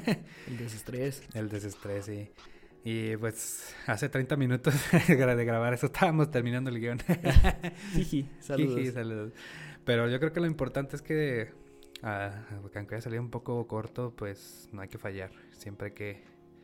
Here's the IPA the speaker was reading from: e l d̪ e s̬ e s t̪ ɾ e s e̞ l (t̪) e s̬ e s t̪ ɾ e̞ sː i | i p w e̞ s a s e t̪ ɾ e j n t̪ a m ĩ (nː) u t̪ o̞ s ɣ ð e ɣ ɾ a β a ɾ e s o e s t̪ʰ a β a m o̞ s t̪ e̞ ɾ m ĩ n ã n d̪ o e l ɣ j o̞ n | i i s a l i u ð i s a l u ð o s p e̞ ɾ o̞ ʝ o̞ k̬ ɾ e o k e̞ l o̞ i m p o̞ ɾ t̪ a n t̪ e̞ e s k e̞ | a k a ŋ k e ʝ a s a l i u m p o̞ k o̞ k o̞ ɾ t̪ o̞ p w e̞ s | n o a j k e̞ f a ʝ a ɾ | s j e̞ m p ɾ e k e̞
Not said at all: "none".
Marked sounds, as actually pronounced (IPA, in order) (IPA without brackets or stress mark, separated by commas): d̪, n